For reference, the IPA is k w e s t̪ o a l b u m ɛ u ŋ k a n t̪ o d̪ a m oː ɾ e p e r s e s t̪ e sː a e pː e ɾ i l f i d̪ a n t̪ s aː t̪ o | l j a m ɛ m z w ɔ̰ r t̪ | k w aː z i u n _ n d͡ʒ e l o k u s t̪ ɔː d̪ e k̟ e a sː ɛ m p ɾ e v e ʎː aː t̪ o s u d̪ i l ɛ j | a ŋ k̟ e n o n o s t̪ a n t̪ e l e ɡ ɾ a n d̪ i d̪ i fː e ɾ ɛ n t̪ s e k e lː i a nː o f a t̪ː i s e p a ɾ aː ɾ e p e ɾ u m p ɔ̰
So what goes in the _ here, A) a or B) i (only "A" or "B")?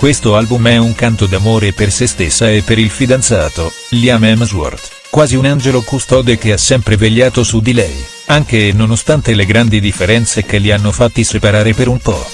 A